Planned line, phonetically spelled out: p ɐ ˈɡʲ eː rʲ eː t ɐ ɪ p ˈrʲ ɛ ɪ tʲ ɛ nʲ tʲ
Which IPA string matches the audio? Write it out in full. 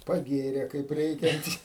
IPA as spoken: p ɐ ˈɡʲ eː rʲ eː k ɐ ɪ p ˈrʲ ɛ ɪ kʲ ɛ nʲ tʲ